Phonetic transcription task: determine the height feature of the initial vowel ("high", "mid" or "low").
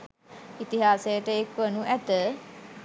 high